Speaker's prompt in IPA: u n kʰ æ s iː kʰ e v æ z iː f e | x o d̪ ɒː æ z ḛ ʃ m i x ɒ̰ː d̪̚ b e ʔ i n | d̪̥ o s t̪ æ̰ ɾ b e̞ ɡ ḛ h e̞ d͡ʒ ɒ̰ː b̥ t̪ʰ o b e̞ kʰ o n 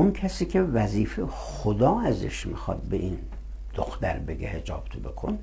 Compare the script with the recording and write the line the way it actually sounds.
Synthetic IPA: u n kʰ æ s iː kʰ e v æ z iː f e | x o d̪ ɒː æ z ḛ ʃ m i x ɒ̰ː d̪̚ b e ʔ i n | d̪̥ o x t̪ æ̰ ɾ b e̞ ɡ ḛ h e̞ d͡ʒ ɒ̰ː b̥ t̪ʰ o b e̞ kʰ o n

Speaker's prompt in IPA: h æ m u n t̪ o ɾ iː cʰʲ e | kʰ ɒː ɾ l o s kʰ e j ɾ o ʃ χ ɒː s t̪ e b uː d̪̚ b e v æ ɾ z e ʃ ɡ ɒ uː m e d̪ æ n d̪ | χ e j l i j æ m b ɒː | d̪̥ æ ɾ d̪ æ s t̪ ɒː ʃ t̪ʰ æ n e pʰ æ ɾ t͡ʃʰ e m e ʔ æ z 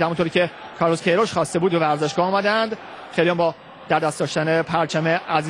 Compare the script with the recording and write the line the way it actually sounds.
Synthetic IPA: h æ m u n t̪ o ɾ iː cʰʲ e | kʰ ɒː ɾ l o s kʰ e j ɾ o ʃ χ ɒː s t̪ e b uː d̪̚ b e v æ ɾ z e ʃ ɡ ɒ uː m æ d̪ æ n d̪ | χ e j l i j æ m b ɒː | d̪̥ æ ɾ d̪ æ s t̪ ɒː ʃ t̪ æ n e pʰ æ ɾ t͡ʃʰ æ m e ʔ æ z

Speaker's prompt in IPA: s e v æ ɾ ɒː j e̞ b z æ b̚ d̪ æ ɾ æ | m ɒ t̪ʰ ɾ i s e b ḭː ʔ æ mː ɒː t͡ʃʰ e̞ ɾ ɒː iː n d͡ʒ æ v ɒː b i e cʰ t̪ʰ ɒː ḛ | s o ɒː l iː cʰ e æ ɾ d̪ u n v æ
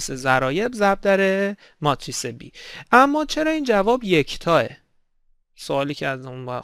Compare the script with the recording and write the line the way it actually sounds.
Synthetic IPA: s e z æ ɾ ɒː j e̞ b z æ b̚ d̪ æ ɾ e | m ɒ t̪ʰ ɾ i s e b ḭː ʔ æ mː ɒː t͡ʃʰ e̞ ɾ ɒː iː n d͡ʒ æ v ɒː b j e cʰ t̪ʰ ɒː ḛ | s o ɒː l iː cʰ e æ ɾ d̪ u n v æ

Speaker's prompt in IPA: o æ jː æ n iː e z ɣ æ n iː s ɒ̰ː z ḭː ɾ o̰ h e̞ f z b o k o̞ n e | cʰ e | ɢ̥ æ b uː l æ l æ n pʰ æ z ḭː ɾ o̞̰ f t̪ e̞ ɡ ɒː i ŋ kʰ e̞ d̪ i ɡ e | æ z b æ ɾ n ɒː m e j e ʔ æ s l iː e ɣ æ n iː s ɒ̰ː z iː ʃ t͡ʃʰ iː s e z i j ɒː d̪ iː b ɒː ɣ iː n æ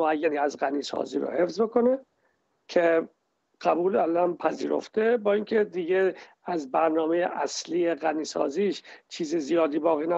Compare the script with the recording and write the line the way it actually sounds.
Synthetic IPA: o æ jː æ n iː æ z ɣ æ n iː s ɒ̰ː z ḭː ɾ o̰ h e̞ f z b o k o̞ n e | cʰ e | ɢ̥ æ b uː l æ l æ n pʰ æ z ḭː ɾ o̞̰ f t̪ e̞ b ɒː i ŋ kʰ e̞ d̪ i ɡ e | æ z b æ ɾ n ɒː m e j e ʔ æ s l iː e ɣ æ n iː s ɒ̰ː z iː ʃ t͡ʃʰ iː z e z i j ɒː d̪ iː b ɒː ɣ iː n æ

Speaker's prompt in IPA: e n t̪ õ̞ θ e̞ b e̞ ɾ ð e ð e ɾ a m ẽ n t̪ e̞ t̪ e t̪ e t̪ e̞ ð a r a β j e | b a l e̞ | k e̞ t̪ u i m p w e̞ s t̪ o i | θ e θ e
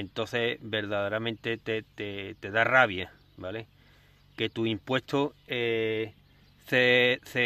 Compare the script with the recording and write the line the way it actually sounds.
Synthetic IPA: e n t̪ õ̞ θ e̞ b e̞ ɾ ð a ð e ɾ a m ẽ n t̪ e̞ t̪ e t̪ e t̪ e̞ ð a r a β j a | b a l e̞ | k e̞ t̪ u i m p w e̞ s t̪ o e | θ e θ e

